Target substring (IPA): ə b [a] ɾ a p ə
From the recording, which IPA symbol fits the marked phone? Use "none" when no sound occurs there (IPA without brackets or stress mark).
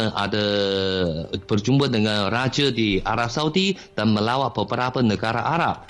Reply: ə